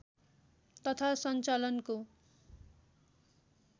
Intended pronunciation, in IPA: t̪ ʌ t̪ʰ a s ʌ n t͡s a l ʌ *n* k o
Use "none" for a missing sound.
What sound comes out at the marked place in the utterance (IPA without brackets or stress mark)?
n